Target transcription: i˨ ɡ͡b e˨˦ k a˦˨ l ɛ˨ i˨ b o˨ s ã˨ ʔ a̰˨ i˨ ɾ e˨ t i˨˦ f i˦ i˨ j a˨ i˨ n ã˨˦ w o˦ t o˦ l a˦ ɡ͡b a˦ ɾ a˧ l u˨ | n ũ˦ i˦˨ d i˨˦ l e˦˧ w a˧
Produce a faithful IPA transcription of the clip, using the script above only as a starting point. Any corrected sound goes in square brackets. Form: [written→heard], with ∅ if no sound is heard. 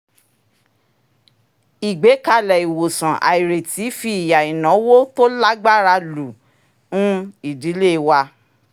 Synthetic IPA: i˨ ɡ͡b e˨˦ k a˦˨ l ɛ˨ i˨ [b→w] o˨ s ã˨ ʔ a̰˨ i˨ ɾ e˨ t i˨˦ f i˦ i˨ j a˨ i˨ n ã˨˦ w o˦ t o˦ l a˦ ɡ͡b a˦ ɾ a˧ l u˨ | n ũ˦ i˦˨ d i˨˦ l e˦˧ w a˧